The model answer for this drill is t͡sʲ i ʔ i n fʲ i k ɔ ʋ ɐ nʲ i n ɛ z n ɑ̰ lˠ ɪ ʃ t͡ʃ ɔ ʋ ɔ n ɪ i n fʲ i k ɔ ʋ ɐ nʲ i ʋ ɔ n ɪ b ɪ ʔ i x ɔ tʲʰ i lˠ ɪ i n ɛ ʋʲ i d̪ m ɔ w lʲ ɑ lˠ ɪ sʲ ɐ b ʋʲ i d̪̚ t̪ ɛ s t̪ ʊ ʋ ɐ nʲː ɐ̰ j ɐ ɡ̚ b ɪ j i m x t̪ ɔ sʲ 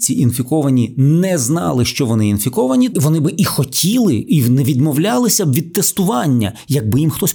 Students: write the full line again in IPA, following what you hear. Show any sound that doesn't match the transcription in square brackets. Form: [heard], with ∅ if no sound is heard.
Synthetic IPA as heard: t͡sʲ i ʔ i n fʲ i k ɔ ʋ ɐ nʲ i n ɛ z n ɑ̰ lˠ ɪ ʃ t͡ʃ ɔ ʋ ɔ n ɪ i n fʲ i k ɔ ʋ ɐ nʲ i ʋ ɔ n ɪ b ɪ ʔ i x ɔ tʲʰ i lˠ ɪ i n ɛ ʋʲ i d̪ m ɔ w lʲ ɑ lˠ ɪ sʲ ɐ b ʋʲ i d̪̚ t̪ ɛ s t̪ ʊ ʋ [ɑ] nʲː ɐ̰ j ɐ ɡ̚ b ɪ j i m x t̪ ɔ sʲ